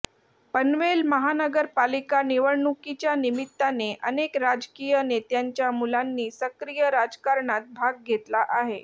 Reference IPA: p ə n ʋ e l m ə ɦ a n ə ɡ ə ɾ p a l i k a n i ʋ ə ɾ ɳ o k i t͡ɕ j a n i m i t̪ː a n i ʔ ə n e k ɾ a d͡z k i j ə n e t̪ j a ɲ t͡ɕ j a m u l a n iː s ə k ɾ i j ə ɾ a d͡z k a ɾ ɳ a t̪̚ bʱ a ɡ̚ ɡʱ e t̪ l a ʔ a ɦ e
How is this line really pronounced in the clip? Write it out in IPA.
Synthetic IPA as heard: p ə n ʋ e l m ə ɦ a n ə ɡ ə ɾ p a l i k a n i ʋ ə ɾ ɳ u k i t͡ɕ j a n i m i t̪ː a n e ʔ ə n e k ɾ a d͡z k i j ə n e t̪ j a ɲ t͡ɕ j a m u l a nː iː s ə k ɾ i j ə ɾ a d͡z k a ɾ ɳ a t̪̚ bʱ a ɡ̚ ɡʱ e t̪ l a ʔ a ɦ e